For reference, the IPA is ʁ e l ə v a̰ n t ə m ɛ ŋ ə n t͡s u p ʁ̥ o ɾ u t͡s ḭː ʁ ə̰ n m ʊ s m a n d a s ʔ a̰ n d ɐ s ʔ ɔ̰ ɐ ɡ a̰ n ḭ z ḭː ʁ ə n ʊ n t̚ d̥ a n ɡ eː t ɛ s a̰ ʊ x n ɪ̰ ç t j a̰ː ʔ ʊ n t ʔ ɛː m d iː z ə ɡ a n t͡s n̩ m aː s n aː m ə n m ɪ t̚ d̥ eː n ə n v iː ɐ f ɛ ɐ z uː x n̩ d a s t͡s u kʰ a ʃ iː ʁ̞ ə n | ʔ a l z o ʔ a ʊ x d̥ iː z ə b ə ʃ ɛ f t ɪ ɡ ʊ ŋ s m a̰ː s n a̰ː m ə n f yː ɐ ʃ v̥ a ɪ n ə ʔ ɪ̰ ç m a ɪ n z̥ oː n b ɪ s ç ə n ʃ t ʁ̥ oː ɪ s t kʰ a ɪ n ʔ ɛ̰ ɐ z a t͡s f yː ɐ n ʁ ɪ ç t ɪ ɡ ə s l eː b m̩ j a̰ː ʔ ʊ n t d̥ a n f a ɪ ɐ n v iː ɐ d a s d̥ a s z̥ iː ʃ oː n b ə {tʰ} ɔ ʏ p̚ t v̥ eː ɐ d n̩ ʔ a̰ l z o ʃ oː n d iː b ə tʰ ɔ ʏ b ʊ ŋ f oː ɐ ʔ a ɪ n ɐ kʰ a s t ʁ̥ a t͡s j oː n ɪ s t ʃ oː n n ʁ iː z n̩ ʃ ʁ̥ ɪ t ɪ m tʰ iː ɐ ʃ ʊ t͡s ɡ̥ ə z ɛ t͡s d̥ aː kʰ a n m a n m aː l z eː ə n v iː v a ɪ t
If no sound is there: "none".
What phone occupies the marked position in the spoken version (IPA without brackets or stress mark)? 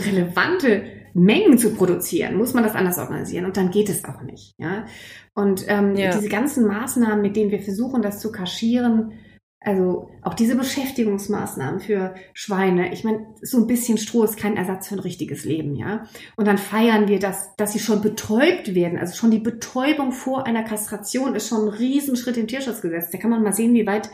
tʰ